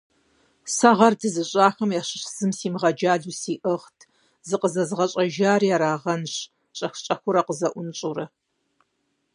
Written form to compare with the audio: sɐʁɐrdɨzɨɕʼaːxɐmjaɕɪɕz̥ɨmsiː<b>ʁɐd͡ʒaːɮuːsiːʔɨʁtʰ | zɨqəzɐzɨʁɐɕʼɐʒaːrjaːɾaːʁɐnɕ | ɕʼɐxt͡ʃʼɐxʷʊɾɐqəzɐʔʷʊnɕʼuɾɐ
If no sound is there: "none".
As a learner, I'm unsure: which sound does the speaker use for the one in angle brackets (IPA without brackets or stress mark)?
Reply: m